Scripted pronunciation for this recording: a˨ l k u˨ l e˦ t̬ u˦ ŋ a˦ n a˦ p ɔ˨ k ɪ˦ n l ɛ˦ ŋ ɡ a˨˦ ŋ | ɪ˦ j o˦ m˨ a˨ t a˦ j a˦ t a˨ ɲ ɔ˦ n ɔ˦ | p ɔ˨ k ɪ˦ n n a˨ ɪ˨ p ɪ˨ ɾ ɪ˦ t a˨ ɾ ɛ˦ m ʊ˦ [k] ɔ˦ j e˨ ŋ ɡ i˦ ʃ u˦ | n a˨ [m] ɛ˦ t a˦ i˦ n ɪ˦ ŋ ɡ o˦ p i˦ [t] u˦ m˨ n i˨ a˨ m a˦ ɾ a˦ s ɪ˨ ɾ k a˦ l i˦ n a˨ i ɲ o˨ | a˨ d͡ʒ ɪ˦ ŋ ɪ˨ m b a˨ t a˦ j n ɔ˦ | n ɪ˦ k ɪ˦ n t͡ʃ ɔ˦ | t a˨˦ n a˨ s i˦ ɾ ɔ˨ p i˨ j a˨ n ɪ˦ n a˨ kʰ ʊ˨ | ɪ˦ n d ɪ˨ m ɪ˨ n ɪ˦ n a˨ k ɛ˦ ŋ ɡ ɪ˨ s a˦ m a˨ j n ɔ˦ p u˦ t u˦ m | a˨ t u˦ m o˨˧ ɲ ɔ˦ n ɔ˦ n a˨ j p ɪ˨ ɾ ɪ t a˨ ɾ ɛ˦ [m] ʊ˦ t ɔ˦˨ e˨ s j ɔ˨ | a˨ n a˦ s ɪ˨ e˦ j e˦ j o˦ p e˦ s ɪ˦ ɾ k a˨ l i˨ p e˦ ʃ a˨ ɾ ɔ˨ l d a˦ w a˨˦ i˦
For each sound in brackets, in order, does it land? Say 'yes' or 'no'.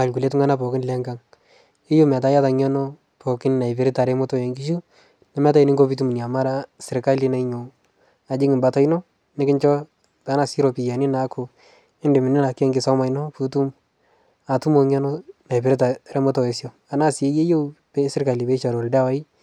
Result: no, yes, yes, yes

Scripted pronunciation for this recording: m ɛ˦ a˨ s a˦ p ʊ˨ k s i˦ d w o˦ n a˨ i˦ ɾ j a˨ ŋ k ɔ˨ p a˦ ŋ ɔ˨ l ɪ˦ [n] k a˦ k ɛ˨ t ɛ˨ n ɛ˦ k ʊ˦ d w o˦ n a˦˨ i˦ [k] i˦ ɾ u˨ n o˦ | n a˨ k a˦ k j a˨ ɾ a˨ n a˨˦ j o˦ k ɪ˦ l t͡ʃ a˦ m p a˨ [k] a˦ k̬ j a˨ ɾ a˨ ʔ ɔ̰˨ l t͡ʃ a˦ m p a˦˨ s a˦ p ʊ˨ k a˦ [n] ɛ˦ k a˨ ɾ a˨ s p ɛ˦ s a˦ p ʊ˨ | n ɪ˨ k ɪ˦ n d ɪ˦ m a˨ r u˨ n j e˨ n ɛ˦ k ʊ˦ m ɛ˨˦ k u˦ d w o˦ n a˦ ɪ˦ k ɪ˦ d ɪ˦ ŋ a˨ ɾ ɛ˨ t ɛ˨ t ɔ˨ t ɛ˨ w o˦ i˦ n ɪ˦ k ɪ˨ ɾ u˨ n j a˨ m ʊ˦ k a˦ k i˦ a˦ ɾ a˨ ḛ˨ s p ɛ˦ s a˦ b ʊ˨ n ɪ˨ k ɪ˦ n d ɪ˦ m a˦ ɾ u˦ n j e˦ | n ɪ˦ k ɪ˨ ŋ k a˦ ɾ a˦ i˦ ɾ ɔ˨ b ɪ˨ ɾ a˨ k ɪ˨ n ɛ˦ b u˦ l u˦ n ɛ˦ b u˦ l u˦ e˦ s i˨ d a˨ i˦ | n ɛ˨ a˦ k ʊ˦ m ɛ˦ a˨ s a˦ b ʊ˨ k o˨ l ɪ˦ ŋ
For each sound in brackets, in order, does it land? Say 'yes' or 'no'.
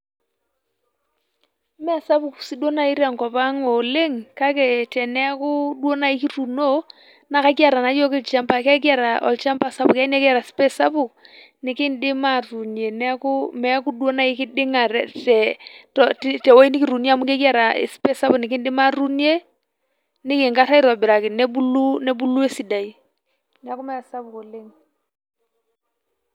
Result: no, yes, yes, yes

